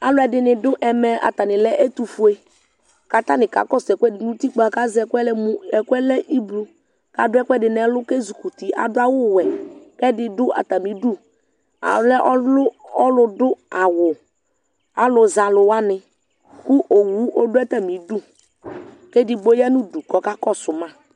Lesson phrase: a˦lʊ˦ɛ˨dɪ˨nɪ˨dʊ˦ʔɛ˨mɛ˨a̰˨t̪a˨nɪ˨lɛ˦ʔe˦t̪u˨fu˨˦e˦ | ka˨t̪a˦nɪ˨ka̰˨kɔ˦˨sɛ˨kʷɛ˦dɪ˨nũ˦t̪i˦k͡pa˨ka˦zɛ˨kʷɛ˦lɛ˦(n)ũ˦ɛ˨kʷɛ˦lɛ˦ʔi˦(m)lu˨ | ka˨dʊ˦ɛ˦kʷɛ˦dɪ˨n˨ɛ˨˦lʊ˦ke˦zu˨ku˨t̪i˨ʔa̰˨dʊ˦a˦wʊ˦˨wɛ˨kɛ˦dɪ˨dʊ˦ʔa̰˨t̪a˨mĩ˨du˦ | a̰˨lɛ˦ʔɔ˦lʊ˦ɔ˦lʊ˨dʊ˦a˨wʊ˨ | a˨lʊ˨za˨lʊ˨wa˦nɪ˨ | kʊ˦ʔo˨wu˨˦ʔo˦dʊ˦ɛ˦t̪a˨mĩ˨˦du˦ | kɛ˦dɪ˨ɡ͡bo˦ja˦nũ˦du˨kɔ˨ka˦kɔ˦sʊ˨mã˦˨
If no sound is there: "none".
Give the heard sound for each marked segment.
m, b

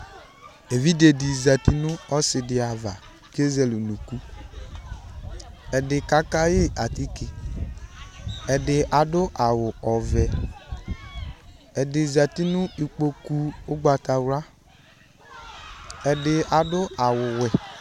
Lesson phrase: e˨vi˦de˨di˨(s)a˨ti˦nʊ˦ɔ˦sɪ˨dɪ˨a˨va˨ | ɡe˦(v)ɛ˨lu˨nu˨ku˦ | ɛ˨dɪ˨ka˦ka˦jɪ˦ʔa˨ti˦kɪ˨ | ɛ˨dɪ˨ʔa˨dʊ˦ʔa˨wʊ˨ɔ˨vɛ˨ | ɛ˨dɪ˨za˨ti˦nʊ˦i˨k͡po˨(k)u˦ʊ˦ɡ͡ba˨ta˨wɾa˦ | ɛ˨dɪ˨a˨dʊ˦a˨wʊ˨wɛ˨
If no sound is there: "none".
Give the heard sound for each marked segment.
z, z, k

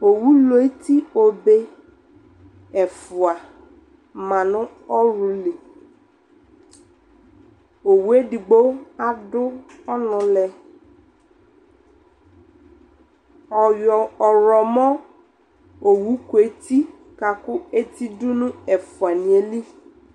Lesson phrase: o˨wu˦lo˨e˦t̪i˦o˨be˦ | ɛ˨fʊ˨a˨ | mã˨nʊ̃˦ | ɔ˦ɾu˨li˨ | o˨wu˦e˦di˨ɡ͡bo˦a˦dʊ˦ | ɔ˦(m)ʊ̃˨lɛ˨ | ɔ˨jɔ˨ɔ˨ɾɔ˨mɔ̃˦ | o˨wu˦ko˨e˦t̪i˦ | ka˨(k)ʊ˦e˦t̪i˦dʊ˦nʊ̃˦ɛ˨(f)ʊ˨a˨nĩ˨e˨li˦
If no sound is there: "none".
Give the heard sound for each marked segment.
n, k, f

